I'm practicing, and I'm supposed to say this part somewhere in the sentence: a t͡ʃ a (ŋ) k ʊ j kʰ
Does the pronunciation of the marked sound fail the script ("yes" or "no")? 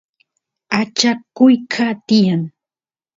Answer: yes